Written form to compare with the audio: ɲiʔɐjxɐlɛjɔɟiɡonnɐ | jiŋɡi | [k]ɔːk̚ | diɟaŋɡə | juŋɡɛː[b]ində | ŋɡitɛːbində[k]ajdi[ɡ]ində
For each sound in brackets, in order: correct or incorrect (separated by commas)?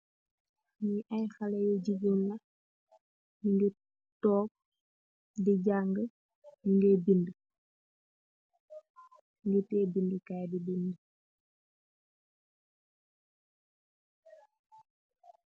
incorrect, correct, correct, incorrect